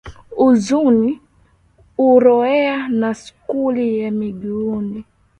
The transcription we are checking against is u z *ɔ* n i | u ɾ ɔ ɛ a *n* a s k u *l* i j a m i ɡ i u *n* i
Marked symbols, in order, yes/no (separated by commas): no, yes, yes, yes